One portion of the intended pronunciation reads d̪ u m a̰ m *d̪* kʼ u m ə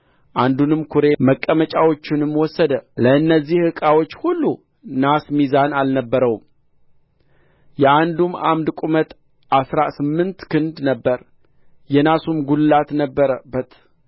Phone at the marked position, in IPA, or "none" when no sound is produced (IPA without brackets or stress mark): d̪